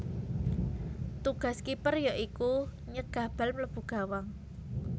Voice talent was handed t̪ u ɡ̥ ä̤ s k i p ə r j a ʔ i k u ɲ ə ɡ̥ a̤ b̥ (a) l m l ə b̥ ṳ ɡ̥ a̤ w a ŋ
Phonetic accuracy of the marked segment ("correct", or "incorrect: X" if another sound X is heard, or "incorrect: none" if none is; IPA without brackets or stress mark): correct